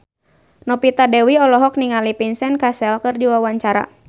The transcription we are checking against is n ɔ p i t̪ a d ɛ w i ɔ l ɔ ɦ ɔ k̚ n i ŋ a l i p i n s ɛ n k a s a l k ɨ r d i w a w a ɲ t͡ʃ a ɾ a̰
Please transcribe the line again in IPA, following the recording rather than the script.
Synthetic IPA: n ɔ p i t̪ a d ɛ w i ɔ l ɔ ɦ ɔ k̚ n i ŋ a l i p i n s ɛ n k a s ɛ l k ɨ r d i w a w a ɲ t͡ʃ a ɾ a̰